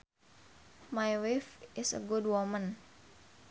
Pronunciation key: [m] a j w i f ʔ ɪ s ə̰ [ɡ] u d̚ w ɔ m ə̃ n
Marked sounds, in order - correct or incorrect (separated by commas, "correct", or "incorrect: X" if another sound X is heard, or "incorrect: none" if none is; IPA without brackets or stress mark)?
correct, correct